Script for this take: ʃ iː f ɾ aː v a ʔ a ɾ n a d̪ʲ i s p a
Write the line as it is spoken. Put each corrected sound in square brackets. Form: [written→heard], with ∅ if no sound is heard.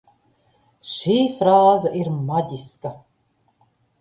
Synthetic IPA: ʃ iː f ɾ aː [v→z] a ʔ [a→i] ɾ [n→m] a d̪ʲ i s [p→k] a